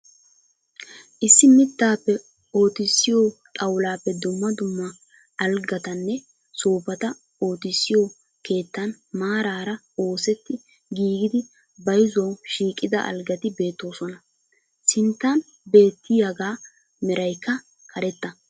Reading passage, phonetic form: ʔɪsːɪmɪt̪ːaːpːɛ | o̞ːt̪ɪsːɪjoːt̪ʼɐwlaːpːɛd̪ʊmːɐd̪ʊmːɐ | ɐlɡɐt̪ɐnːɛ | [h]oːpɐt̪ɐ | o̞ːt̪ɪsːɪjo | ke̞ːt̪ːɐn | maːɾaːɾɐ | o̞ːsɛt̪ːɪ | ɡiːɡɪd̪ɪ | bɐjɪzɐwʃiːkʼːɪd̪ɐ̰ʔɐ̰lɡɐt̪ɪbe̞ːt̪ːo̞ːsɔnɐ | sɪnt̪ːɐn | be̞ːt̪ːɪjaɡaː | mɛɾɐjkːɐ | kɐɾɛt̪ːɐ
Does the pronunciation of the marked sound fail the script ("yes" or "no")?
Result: yes